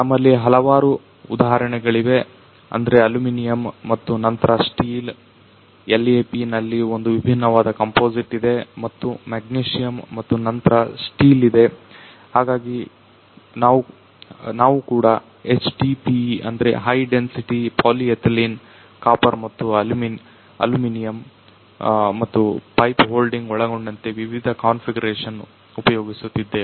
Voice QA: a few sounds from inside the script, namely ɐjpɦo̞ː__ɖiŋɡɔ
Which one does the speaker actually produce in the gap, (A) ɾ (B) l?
B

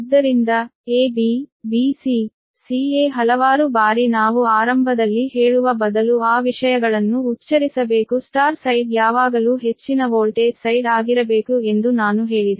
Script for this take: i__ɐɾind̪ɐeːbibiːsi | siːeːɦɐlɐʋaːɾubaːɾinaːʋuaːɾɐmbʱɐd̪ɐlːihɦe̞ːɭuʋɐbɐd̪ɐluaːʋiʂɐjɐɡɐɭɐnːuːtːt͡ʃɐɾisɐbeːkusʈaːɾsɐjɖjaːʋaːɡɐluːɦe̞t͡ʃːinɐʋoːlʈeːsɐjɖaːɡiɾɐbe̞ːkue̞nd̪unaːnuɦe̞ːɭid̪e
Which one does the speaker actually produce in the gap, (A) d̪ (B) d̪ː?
B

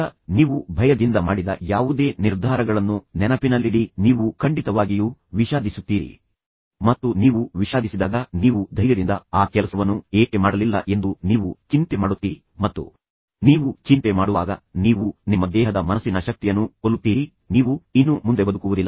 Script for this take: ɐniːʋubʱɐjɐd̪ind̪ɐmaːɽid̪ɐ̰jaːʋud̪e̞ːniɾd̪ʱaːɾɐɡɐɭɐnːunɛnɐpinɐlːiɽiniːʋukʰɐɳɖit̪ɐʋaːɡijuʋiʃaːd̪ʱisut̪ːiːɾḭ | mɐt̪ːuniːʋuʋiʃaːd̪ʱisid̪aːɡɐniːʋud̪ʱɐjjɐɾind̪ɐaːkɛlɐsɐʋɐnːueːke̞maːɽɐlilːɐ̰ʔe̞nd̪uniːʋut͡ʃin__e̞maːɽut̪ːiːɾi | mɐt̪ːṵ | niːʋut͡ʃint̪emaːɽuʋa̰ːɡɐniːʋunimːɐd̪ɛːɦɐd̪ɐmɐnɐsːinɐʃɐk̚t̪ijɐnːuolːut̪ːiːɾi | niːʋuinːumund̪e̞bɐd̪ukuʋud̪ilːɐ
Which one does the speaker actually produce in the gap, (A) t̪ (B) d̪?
A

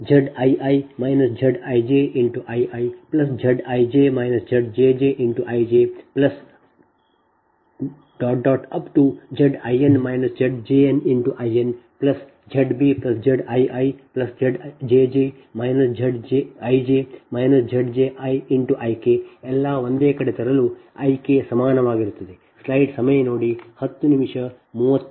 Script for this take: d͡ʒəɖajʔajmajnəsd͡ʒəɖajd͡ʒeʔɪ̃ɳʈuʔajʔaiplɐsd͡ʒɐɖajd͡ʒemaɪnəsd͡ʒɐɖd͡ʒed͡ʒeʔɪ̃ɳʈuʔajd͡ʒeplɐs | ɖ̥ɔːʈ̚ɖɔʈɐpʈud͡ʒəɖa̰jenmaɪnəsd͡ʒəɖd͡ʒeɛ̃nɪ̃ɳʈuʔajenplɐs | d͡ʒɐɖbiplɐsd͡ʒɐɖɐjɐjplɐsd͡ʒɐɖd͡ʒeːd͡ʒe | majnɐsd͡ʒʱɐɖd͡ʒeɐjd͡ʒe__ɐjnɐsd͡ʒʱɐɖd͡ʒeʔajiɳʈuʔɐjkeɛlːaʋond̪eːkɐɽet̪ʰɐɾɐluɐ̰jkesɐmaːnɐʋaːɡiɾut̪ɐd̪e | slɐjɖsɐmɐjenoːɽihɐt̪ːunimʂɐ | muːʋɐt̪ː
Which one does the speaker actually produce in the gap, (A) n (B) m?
B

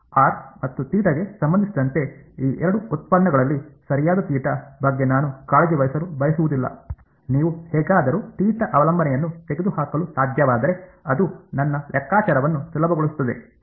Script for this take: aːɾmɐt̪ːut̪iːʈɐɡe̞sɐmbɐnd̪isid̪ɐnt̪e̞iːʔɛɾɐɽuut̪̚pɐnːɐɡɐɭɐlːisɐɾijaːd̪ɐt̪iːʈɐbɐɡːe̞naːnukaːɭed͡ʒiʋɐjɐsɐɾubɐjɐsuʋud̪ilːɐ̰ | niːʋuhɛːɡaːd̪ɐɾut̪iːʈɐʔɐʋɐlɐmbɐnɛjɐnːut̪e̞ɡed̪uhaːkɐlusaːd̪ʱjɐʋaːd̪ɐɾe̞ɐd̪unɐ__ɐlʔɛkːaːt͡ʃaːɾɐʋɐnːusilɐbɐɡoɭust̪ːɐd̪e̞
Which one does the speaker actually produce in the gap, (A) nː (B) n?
A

